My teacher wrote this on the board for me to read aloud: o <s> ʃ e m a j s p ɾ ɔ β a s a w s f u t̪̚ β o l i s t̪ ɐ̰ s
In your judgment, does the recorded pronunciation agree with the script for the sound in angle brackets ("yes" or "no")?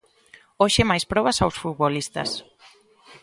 no